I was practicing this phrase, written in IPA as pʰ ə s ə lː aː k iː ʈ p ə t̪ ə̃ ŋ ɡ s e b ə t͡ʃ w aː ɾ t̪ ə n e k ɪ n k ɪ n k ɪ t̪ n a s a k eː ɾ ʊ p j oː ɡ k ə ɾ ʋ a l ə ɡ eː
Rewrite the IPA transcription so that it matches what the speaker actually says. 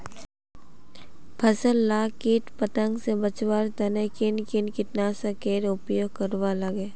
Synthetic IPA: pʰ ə s ə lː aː k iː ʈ p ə t̪ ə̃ ŋ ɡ s e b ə t͡ʃ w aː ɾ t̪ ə n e k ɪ n k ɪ n k ɪ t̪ n a s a k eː ɾ ʊ p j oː ɡ k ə ɾ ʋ a l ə ɡ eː